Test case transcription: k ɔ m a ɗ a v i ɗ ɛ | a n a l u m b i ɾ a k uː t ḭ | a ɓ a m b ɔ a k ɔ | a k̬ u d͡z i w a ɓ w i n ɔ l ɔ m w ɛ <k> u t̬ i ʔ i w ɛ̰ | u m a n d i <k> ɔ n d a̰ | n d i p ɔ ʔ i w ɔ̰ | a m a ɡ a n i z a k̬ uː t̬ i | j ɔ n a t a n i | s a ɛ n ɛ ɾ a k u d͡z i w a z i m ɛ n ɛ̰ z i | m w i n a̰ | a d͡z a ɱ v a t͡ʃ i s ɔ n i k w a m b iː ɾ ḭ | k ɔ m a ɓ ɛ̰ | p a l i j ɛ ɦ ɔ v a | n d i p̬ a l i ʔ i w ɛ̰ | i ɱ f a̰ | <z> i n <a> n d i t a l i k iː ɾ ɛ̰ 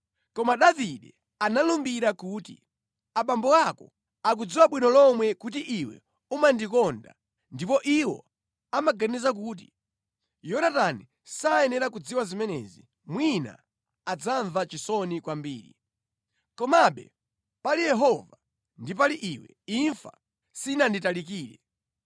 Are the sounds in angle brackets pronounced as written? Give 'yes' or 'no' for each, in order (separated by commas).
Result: yes, yes, no, yes